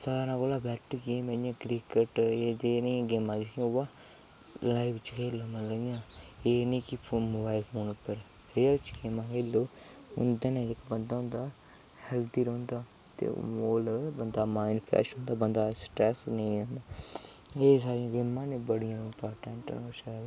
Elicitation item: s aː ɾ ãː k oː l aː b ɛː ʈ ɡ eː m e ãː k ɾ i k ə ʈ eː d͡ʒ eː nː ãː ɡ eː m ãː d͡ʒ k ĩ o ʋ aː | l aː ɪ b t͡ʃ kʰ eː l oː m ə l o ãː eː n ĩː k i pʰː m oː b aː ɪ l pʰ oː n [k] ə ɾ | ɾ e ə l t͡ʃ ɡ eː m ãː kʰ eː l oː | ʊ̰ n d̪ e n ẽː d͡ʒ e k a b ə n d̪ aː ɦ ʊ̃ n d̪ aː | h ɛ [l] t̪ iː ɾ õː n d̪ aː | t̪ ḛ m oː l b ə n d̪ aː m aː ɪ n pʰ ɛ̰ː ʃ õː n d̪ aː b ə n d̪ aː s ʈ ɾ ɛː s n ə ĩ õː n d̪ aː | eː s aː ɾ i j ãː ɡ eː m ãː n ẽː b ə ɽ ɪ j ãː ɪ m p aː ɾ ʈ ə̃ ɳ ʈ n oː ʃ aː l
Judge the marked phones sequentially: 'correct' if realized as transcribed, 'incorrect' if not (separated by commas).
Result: incorrect, correct